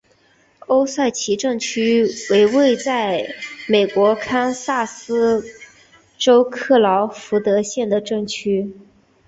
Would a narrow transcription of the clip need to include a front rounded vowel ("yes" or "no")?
yes